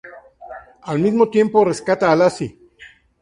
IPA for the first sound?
a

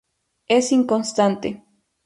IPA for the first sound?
e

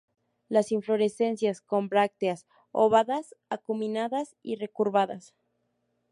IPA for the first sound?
l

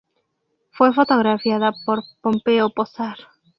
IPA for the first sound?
f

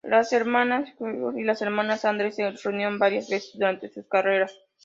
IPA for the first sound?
l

